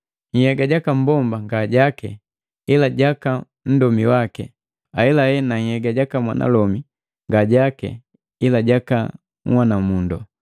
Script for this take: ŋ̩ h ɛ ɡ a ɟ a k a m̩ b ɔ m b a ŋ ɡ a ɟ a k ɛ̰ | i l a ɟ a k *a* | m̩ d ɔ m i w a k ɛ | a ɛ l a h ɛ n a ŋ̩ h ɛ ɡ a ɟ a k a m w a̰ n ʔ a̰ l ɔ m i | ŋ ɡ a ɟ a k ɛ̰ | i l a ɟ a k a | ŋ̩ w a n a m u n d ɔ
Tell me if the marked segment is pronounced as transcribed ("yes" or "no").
yes